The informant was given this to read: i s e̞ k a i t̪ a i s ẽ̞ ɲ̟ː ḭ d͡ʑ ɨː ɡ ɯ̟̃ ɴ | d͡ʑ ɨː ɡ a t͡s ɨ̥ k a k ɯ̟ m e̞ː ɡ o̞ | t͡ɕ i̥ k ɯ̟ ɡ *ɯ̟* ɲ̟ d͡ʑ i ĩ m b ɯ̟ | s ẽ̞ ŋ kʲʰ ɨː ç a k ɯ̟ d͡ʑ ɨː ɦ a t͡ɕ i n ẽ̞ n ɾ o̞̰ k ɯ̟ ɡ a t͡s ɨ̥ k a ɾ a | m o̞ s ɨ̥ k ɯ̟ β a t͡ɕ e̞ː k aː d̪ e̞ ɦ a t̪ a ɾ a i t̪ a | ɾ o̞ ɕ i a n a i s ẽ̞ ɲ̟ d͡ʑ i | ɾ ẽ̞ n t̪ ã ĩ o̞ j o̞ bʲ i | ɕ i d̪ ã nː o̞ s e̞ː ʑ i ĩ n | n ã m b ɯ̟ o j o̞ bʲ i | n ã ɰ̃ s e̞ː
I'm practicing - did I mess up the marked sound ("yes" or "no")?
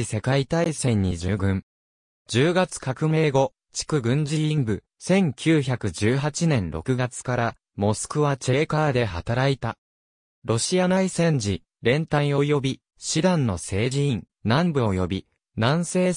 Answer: yes